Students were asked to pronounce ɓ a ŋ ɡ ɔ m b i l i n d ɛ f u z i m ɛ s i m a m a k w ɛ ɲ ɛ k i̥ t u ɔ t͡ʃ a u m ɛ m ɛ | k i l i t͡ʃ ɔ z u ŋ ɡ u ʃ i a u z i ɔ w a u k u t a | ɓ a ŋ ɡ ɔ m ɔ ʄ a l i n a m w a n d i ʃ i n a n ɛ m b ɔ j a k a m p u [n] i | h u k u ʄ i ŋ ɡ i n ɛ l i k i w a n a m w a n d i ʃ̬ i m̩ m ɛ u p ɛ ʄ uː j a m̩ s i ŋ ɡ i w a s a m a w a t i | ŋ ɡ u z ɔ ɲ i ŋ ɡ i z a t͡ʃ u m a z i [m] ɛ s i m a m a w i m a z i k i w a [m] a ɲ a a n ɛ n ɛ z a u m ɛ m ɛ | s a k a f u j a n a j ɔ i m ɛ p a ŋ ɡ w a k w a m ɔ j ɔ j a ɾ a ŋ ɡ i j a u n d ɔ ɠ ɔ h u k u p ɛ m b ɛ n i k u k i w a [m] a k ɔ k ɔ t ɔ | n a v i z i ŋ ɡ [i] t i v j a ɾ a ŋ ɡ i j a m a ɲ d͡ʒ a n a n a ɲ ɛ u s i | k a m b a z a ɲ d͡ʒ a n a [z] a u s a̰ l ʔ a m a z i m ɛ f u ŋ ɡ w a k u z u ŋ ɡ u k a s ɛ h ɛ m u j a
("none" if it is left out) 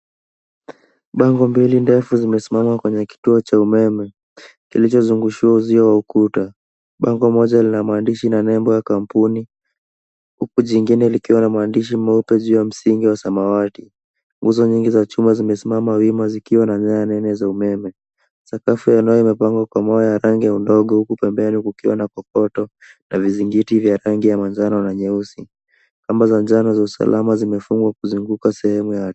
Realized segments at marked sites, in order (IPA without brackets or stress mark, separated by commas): n, m, n, n, i, z